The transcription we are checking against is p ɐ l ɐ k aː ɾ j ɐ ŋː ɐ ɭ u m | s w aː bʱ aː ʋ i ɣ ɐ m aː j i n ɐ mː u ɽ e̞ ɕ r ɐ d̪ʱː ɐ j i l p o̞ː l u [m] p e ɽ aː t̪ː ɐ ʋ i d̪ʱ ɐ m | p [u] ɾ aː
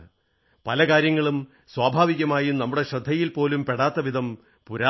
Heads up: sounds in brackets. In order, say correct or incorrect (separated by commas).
correct, correct